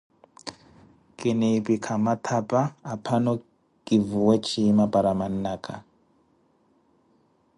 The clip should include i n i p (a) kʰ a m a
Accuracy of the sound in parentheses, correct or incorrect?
incorrect